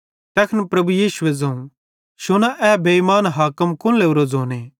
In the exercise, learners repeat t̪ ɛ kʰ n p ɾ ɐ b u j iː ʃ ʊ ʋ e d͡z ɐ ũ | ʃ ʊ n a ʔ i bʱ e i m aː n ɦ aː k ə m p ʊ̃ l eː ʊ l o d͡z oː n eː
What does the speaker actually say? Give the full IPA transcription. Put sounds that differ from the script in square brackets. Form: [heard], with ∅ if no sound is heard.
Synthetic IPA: t̪ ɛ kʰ n p ɾ ɐ b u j iː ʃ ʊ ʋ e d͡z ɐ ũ | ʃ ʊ n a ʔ [ɛ] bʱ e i m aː n ɦ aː k ə m [k] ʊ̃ l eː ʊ [ɾ] o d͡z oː n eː